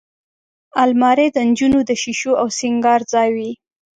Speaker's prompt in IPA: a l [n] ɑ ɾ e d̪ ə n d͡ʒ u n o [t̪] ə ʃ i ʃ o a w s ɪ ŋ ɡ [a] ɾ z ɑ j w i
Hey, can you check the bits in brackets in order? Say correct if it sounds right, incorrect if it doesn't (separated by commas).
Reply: incorrect, incorrect, incorrect